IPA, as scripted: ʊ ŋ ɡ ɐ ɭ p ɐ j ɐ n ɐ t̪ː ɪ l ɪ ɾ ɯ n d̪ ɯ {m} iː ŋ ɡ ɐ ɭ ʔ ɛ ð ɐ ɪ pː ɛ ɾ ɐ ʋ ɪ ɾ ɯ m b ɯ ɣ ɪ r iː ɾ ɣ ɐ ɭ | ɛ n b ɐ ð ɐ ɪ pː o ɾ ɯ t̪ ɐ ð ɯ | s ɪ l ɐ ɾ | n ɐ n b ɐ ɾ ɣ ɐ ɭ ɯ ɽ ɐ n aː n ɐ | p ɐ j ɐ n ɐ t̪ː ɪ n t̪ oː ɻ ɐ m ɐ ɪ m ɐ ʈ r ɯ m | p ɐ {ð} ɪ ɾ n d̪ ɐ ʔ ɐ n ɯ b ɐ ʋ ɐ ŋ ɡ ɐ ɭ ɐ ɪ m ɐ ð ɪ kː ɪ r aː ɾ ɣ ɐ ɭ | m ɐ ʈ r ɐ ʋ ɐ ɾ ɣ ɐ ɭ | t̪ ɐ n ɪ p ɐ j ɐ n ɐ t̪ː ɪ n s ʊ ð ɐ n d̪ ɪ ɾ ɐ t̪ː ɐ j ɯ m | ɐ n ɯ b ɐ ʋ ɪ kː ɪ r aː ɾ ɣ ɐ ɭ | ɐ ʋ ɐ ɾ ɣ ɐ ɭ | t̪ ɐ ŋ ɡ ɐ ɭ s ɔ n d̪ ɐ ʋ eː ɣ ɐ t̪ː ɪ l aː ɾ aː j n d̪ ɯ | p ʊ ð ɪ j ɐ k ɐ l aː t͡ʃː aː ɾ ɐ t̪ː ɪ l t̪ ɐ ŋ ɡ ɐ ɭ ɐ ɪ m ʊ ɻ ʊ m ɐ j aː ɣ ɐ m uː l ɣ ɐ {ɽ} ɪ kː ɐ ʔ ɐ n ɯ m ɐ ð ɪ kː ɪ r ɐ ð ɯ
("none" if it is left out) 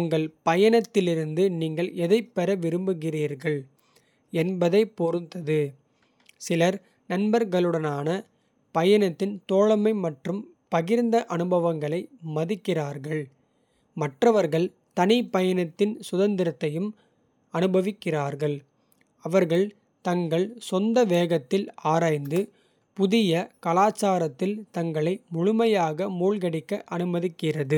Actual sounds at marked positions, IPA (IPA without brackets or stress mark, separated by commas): n, ɣ, ɽ